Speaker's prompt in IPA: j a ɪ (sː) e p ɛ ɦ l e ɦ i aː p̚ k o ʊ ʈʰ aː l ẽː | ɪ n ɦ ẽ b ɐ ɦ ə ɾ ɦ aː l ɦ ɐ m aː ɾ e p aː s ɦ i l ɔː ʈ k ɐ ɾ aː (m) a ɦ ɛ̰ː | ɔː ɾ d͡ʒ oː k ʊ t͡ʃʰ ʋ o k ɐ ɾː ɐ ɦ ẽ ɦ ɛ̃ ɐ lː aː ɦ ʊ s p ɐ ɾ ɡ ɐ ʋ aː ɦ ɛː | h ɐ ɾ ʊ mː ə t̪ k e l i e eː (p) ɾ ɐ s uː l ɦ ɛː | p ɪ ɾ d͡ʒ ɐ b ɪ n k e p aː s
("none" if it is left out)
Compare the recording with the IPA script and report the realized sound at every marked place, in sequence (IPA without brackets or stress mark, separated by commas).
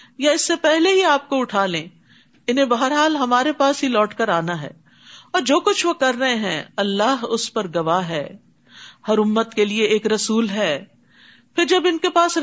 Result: sː, n, k